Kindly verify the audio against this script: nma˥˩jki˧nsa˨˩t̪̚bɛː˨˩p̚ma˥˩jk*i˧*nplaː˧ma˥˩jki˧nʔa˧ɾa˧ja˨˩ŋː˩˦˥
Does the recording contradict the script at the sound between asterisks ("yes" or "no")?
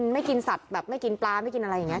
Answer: no